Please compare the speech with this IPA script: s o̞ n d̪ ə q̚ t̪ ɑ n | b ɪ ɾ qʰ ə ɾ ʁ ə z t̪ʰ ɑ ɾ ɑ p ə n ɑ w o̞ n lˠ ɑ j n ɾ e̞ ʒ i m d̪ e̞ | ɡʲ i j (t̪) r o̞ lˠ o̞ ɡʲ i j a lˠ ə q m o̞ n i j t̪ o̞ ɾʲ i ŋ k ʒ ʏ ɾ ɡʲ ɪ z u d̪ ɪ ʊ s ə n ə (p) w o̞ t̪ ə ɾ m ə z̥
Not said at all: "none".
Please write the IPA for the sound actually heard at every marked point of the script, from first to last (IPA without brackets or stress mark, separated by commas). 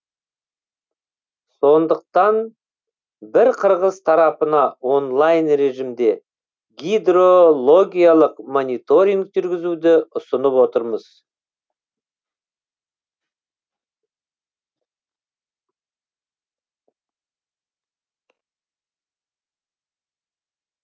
d̪, p